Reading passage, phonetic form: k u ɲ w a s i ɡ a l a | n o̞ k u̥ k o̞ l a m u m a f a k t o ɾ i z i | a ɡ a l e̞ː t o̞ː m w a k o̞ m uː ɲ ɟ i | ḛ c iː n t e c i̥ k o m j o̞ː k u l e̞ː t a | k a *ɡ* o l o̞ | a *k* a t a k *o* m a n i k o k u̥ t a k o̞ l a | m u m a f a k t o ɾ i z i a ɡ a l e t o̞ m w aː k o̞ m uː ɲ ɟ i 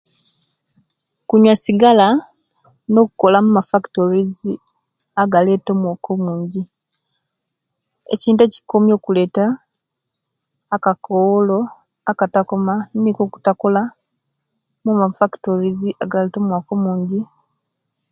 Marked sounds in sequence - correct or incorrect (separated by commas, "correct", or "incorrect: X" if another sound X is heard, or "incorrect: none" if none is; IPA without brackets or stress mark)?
incorrect: k, correct, correct